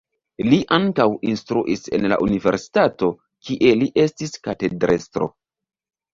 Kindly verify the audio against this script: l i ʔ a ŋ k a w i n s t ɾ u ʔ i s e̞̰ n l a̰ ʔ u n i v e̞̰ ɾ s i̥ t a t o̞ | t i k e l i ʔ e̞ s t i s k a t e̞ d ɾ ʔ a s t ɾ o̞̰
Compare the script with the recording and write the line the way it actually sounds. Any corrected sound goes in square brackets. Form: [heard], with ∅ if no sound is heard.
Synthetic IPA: l i ʔ a ŋ k a w i n s t ɾ u ʔ i s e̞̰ n l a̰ ʔ u n i v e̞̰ ɾ s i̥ t a t o̞ | [k] i [ʔ] e l i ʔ e̞ s t i s k a t e̞ d ɾ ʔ [e] s t ɾ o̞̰